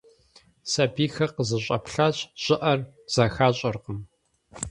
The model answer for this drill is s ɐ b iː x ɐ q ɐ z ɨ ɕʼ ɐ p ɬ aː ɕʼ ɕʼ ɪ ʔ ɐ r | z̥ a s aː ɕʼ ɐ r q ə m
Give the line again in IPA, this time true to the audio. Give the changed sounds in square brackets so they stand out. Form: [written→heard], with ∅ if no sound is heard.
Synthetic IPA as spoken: s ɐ b iː x ɐ q [ɐ→ə] z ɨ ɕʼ ɐ p ɬ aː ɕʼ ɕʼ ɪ ʔ ɐ r | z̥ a [s→x] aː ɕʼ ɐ r q ə m